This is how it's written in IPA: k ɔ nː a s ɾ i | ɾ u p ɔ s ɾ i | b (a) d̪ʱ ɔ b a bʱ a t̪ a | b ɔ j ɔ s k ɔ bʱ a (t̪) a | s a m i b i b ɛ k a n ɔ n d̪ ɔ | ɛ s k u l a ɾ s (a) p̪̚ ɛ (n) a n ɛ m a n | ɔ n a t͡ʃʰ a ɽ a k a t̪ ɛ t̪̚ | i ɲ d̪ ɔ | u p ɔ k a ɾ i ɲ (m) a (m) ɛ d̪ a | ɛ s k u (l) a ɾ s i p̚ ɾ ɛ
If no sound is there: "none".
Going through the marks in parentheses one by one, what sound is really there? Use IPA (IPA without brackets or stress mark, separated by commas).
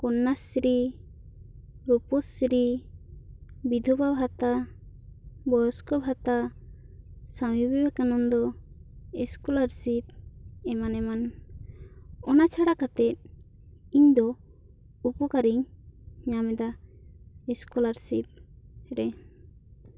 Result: i, t̪, i, m, ɲ, m, l